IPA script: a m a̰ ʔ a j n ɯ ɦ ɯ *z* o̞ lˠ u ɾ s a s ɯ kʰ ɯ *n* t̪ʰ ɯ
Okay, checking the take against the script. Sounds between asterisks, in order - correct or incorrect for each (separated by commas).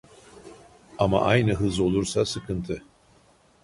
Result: correct, correct